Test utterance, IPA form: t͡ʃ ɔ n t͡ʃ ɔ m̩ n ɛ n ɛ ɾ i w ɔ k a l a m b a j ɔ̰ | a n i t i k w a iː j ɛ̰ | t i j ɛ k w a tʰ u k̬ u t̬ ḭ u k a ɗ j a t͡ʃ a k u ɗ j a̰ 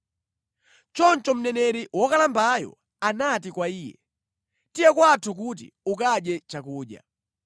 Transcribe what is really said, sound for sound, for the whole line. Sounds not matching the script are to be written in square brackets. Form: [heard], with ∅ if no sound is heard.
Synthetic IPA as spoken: t͡ʃ ɔ n t͡ʃ ɔ m̩ n ɛ n ɛ ɾ i w ɔ k a l a m b a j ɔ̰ | a n [a] t i k w a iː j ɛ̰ | t i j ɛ k w a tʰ u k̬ u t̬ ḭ u k a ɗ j [ɛ] t͡ʃ a k [uː] ɗ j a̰